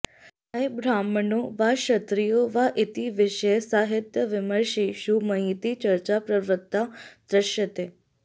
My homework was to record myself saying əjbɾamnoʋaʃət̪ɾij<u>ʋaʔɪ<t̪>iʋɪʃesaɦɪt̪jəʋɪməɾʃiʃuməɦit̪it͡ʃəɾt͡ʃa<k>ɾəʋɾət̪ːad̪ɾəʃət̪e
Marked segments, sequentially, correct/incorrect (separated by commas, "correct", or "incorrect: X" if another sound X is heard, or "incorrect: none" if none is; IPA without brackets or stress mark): incorrect: o, correct, incorrect: p